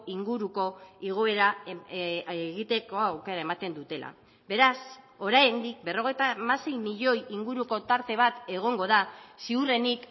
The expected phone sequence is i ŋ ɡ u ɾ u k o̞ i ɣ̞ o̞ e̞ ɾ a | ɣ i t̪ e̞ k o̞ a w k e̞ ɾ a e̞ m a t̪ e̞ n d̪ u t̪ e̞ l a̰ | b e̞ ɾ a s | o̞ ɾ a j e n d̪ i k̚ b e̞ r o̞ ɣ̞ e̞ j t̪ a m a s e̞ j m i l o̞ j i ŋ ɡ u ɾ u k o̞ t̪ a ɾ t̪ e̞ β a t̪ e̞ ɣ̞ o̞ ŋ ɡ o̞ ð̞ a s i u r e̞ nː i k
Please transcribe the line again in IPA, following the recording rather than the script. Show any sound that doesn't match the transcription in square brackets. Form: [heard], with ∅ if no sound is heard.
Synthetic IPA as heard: i ŋ ɡ u ɾ u k o̞ i ɣ̞ o̞ e̞ ɾ a | ɣ i t̪ e̞ k o̞ a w k e̞ ɾ a e̞ m a t̪ e̞ n d̪ u t̪ e̞ l a̰ | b e̞ ɾ a s | o̞ ɾ a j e n d̪ i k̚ b e̞ r o̞ ɣ̞ e̞ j t̪ a m a s e̞ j m i [ʎ] o̞ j i ŋ ɡ u ɾ u k o̞ t̪ a ɾ t̪ e̞ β a t̪ e̞ ɣ̞ o̞ ŋ ɡ o̞ ð̞ a s i u r e̞ [n] i k